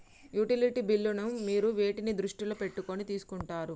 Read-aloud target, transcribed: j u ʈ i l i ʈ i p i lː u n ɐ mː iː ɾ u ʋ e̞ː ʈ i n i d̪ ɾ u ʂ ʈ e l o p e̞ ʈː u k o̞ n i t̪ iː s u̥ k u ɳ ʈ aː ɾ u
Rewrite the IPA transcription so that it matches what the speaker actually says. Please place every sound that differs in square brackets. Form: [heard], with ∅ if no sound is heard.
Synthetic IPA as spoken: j u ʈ i l i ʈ i [b] i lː u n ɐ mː iː ɾ u ʋ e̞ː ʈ i n i d̪ ɾ u ʂ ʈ [i] l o p e̞ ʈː u k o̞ n i t̪ iː s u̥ k u ɳ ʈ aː ɾ u